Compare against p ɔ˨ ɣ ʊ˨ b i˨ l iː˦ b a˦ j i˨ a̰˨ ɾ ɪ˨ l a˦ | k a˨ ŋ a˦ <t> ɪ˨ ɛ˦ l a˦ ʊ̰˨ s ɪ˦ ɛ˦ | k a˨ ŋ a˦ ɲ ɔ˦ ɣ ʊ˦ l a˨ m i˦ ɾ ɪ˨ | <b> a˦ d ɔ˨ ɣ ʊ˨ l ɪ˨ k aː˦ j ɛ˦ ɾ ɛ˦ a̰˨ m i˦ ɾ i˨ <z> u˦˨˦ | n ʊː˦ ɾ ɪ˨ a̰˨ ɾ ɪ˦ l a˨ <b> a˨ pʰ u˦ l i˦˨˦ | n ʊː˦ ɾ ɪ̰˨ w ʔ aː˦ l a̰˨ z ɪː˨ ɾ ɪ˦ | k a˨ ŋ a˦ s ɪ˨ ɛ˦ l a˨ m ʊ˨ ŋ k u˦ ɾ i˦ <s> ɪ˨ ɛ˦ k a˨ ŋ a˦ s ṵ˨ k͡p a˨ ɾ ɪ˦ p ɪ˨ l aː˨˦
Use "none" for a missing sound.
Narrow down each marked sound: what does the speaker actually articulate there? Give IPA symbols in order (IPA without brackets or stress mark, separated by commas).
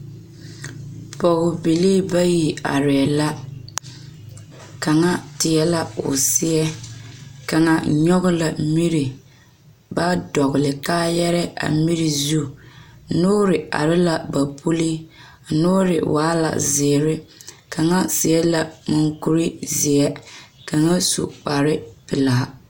t, b, z, b, z